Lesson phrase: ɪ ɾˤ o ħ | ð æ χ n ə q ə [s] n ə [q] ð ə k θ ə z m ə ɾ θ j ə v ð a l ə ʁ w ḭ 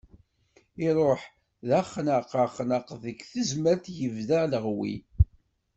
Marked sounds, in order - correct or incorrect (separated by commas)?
incorrect, correct